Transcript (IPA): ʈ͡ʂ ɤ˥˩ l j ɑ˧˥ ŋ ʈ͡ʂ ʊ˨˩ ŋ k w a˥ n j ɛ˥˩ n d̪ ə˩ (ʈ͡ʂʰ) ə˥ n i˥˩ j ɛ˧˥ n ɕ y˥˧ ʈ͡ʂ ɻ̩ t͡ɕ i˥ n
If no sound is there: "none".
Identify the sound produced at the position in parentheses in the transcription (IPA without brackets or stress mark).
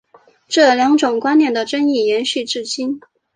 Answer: ʈ͡ʂ